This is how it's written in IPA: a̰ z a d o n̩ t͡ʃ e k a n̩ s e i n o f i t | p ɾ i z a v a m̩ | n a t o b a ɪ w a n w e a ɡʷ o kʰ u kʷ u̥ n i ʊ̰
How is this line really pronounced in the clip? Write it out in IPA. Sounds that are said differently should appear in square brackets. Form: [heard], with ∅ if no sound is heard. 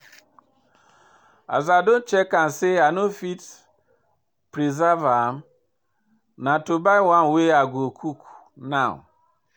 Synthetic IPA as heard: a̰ z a d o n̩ t͡ʃ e k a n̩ s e [a] n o f i t | p ɾ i z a v a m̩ | n a t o b a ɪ w a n w e a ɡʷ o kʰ u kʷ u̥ n [a] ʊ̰